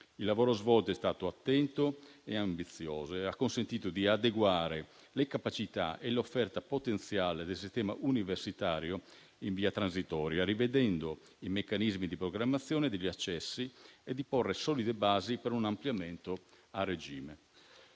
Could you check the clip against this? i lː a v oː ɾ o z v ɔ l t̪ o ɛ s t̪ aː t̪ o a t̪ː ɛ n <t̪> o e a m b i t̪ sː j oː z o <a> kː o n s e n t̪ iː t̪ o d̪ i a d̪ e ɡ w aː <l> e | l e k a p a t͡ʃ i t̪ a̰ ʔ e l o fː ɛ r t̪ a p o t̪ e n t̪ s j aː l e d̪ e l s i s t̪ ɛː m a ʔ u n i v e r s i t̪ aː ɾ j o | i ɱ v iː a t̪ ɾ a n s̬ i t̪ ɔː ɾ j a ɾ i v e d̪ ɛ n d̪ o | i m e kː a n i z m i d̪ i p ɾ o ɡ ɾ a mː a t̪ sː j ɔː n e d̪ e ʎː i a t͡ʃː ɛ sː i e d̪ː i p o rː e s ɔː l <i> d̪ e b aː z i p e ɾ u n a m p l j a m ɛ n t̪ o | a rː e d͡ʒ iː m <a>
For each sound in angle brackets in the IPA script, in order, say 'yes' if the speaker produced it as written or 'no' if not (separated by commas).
yes, yes, no, yes, no